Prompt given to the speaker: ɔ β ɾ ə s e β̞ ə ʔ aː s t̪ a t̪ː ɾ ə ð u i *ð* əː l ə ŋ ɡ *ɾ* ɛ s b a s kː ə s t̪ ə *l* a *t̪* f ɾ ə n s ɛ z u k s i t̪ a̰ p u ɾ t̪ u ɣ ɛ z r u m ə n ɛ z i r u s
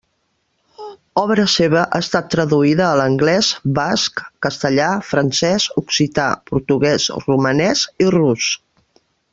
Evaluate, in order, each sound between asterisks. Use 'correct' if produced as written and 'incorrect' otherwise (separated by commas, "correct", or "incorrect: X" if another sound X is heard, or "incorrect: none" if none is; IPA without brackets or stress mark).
correct, incorrect: l, incorrect: ʎ, incorrect: none